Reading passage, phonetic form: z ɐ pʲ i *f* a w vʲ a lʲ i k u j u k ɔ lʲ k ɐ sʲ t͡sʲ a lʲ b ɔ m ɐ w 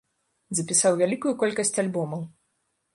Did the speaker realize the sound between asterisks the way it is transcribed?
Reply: no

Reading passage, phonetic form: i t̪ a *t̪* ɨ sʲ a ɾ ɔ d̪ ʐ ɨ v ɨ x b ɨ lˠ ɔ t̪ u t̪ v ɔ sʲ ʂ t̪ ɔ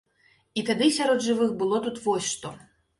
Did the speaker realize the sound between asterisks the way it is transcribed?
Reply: no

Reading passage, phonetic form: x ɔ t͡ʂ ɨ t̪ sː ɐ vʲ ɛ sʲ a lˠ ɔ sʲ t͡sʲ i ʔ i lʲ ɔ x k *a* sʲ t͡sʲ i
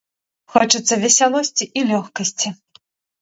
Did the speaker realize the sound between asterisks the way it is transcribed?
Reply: no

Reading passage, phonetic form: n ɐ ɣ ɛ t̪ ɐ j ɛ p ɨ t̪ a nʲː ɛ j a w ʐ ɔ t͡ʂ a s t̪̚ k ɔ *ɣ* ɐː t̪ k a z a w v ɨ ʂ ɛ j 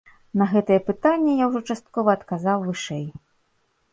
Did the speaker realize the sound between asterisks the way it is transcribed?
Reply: no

